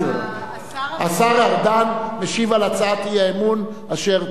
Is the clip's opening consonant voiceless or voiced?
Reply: voiceless